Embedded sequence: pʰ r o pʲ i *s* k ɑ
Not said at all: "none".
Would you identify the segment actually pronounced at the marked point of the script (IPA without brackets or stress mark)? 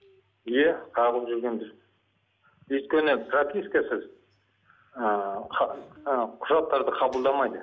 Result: s